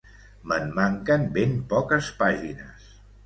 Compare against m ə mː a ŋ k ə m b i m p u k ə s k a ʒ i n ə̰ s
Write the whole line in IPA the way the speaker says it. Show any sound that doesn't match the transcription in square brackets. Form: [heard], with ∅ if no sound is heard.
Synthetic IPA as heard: m ə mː a ŋ k ə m b [e] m p [ɔ] k ə s [p] a ʒ i n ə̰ s